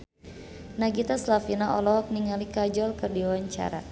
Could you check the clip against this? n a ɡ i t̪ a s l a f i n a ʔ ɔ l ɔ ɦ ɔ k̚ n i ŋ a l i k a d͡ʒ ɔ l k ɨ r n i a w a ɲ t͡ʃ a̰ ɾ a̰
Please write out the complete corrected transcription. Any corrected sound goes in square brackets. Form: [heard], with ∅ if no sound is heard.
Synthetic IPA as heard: n a ɡ i t̪ a s l a f i n a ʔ ɔ l ɔ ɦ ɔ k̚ n i ŋ a l i k a d͡ʒ ɔ l k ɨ r [d] i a w a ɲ t͡ʃ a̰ ɾ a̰